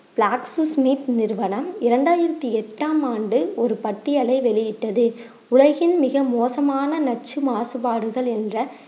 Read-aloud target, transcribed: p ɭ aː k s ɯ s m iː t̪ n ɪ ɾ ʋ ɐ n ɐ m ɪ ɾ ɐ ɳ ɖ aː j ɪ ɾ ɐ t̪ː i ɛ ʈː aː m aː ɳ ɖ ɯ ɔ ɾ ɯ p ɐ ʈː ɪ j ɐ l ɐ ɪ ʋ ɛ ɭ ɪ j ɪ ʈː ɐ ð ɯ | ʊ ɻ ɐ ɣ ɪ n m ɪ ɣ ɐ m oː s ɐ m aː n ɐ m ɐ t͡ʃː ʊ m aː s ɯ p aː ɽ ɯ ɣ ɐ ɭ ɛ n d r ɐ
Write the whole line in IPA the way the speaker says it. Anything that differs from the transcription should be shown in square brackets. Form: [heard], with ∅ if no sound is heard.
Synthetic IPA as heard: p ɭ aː k s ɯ s m iː t̪ n ɪ ɾ ʋ ɐ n ɐ m ɪ ɾ ɐ ɳ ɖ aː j ɪ ɾ ɐ t̪ː i ɛ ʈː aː m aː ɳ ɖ ɯ ɔ ɾ ɯ p ɐ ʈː ɪ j ɐ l ɐ ɪ ʋ ɛ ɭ ɪ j ɪ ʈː ɐ ð ɯ | ʊ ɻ ɐ ɣ ɪ n m ɪ ɣ ɐ m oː s ɐ m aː n ɐ [n] ɐ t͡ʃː [ɯ] m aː s ɯ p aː ɽ ɯ ɣ ɐ ɭ ɛ n d r ɐ